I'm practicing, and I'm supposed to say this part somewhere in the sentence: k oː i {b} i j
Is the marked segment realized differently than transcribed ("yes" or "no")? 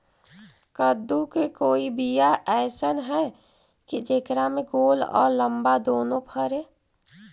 no